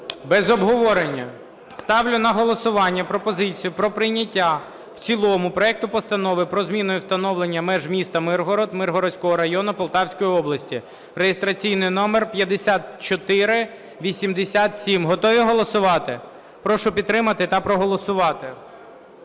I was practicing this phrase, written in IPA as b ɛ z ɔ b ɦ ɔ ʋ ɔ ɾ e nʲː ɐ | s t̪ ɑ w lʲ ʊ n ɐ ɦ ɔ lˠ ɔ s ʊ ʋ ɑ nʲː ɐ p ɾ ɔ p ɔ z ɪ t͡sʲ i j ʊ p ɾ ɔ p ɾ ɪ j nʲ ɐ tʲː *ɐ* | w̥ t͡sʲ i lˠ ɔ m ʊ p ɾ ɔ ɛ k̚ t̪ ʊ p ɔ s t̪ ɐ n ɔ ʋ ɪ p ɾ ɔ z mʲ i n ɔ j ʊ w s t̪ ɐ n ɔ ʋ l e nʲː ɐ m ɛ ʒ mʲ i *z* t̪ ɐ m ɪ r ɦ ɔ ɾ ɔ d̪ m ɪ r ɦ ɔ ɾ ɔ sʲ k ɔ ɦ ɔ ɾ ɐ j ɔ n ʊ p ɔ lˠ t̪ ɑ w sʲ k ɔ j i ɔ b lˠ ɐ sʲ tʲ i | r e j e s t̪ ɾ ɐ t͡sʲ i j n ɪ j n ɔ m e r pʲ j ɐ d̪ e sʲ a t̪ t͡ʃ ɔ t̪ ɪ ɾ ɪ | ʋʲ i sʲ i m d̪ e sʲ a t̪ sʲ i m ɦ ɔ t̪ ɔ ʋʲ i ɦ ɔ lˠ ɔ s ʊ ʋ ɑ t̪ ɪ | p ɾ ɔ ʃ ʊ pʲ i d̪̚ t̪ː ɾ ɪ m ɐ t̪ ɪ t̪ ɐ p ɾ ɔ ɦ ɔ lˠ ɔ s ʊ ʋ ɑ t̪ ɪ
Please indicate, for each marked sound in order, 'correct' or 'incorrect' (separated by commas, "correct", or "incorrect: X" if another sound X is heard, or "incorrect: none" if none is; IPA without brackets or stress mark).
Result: incorrect: a, incorrect: s